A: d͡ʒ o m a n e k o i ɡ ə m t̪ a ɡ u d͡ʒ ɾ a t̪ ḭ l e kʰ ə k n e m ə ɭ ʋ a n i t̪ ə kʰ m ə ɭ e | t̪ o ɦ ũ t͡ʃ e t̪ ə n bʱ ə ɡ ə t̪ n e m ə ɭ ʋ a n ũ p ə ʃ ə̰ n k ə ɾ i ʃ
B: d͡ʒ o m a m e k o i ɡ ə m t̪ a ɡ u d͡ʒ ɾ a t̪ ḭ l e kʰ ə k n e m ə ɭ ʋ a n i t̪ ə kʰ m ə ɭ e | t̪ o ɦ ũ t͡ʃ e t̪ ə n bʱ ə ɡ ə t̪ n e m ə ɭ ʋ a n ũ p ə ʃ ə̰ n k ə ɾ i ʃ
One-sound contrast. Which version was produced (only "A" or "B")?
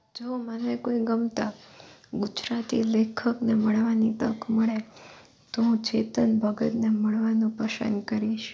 A